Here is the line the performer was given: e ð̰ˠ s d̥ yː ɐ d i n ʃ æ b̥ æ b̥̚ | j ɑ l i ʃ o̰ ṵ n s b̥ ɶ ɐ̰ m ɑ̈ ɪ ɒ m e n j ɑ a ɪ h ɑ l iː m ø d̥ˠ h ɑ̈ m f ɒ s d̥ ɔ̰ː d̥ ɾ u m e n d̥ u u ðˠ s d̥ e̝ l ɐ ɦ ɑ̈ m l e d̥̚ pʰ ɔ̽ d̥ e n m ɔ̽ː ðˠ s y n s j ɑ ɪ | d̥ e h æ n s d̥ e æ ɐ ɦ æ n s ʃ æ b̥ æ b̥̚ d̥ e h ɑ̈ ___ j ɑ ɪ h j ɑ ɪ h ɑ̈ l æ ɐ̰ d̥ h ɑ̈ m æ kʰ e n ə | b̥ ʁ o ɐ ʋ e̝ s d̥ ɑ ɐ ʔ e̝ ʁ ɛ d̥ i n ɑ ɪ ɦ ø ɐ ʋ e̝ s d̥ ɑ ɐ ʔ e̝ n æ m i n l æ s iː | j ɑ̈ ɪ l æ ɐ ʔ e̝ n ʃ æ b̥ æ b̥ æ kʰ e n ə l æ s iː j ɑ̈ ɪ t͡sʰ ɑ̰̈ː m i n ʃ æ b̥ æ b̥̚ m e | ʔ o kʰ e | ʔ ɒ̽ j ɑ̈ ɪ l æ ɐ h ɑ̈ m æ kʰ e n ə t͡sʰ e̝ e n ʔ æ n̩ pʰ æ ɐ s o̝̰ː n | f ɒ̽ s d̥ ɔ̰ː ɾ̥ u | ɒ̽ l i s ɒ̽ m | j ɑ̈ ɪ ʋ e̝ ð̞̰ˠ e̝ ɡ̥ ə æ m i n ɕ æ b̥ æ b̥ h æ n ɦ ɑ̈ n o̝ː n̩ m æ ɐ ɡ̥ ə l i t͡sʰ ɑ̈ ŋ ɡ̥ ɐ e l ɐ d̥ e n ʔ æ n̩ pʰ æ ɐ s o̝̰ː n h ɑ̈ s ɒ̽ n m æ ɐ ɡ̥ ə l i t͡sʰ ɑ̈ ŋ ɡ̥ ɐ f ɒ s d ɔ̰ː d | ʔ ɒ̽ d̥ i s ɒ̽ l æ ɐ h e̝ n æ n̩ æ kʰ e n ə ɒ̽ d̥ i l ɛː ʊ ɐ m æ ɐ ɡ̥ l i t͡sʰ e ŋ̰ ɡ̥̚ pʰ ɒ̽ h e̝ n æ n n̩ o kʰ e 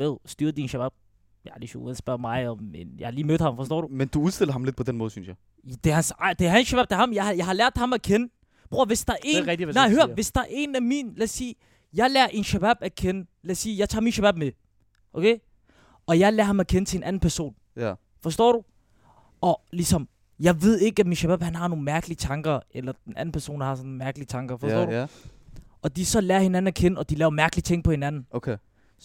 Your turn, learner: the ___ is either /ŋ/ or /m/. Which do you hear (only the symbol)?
m